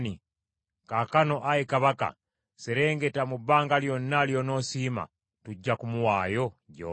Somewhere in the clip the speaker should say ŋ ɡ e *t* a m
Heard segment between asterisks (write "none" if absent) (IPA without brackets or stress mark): t